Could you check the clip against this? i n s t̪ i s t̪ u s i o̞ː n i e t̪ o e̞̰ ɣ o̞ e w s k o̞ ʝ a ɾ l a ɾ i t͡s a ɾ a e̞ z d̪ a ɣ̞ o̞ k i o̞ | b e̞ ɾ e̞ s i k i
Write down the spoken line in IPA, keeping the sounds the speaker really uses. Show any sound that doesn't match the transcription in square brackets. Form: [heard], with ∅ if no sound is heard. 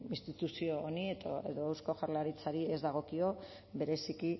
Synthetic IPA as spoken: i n s t̪ i [∅] t̪ u s i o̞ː n i e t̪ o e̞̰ [ð] o̞ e w s k o̞ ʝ a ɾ l a ɾ i t͡s a ɾ [i] e̞ z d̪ a ɣ̞ o̞ k i o̞ | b e̞ ɾ e̞ s i k i

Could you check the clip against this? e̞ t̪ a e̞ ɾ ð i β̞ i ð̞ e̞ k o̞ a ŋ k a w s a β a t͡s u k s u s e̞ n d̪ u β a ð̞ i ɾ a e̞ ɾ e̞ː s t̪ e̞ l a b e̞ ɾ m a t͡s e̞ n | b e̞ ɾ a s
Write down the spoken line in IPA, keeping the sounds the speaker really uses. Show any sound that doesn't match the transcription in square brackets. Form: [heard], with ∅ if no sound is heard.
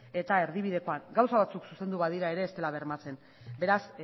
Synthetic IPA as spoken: e̞ t̪ a e̞ ɾ ð i β̞ i ð̞ e̞ k o̞ a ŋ [ɡ] a w s a β a t͡s u k s u s e̞ n d̪ u β a ð̞ i ɾ a e̞ ɾ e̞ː s t̪ e̞ l a [β] e̞ ɾ m a t͡s e̞ n | b e̞ ɾ a s

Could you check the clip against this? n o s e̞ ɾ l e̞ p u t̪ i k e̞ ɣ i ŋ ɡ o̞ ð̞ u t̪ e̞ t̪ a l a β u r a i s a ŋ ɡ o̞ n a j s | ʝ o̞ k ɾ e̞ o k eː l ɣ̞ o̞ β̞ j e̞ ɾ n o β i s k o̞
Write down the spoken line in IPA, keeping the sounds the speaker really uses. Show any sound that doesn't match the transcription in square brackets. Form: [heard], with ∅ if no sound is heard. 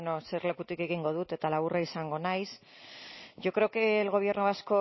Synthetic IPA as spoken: n o s e̞ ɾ l e̞ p u t̪ i k e̞ ɣ i ŋ ɡ o̞ ð̞ u t̪ e̞ t̪ a l a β u r a i s a ŋ ɡ o̞ n a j s | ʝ o̞ k ɾ e̞ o k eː l ɣ̞ o̞ β̞ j e̞ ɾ n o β [a] s k o̞

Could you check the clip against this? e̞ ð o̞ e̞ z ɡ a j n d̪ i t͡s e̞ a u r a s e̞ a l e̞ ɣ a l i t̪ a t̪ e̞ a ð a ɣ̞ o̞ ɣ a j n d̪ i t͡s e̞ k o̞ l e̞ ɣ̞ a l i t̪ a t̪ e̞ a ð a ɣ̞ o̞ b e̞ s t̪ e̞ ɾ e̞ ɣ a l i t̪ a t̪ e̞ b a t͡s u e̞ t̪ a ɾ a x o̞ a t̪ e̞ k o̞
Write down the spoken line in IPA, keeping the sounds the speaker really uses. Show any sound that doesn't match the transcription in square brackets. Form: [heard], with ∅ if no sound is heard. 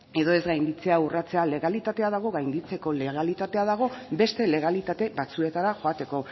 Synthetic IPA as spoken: e̞ ð o̞ e̞ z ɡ a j n d̪ i t͡s e̞ a u r a [t͡s] e̞ a l e̞ ɣ a l i t̪ a t̪ e̞ a ð a ɣ̞ o̞ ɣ a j n d̪ i t͡s e̞ k o̞ l e̞ ɣ̞ a l i t̪ a t̪ e̞ a ð a ɣ̞ o̞ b e̞ s t̪ e̞ [l] e̞ ɣ a l i t̪ a t̪ e̞ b a t͡s u e̞ t̪ a ɾ a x o̞ a t̪ e̞ k o̞

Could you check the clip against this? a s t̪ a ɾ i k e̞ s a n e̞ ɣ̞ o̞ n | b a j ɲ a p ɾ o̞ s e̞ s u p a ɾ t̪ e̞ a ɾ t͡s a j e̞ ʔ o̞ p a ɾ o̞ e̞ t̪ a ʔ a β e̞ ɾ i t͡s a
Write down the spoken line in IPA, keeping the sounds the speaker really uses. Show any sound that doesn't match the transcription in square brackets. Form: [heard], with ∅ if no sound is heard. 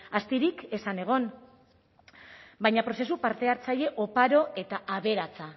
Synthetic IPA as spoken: a s t̪ [i] ɾ i k e̞ s a n e̞ ɣ̞ o̞ n | b a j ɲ a p ɾ o̞ s e̞ s u p a ɾ t̪ e̞ a ɾ t͡s a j e̞ ʔ o̞ p a ɾ o̞ e̞ t̪ a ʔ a β e̞ ɾ [a] t͡s a

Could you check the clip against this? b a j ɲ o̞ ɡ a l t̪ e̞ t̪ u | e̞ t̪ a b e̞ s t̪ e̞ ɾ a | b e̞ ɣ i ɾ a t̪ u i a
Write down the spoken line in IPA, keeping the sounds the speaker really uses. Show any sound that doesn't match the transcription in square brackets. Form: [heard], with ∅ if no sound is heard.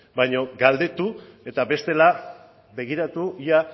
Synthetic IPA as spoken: b a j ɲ o̞ ɡ a l [d̪] e̞ t̪ u | e̞ t̪ a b e̞ s t̪ e̞ [l] a | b e̞ ɣ i ɾ a t̪ u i a

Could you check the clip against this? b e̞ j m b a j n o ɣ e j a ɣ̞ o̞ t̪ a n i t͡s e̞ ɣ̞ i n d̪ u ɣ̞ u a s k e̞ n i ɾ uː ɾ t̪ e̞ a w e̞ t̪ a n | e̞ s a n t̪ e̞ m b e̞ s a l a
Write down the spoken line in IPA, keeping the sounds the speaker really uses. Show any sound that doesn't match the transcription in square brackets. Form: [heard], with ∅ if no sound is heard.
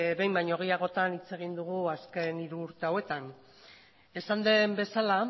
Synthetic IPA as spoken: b e̞ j m b a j [ɲ] o ɣ e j a ɣ̞ o̞ t̪ a n i t͡s e̞ ɣ̞ i n d̪ u ɣ̞ u a s k e̞ n i ɾ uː ɾ t̪ e̞ a w e̞ t̪ a n | e̞ s a n [d̪] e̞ m b e̞ s a l a

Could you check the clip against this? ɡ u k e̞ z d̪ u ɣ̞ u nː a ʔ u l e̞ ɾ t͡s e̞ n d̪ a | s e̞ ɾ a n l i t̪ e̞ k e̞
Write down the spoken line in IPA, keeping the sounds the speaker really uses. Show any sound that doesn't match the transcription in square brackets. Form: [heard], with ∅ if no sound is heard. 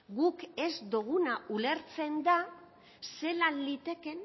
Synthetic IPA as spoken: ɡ u k e̞ z d̪ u ɣ̞ u [n] a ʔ u l e̞ ɾ t͡s e̞ n d̪ a | s e̞ [l] a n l i t̪ e̞ k e̞

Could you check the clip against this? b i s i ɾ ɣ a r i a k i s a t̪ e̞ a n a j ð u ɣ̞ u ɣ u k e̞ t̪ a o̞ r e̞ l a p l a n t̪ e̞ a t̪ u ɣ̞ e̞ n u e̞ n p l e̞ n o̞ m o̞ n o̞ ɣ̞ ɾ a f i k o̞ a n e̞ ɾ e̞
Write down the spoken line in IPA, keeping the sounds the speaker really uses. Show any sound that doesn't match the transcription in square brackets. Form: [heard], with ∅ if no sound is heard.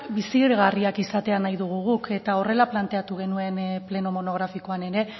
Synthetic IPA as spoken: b i s i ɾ ɣ a r i a k i s a t̪ e̞ a n a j ð u ɣ̞ u ɣ u k e̞ t̪ a o̞ r e̞ l a p l a n t̪ e̞ a t̪ u ɣ̞ e̞ n u e̞ n p l e̞ n o̞ m o̞ n o̞ ɣ̞ ɾ a f i k o̞ a n e̞ ɾ e̞

